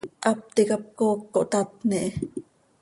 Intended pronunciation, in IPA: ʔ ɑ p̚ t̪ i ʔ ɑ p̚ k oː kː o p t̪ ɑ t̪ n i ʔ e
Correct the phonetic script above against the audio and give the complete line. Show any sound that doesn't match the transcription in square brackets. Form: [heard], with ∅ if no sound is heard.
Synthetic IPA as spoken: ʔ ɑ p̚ t̪ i [k] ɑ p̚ k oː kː o [ʔ] t̪ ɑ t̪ n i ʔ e